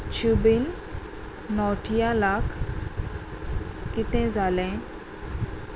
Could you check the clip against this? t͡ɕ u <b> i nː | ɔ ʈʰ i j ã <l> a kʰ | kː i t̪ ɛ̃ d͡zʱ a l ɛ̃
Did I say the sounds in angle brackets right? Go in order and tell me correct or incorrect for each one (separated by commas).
correct, correct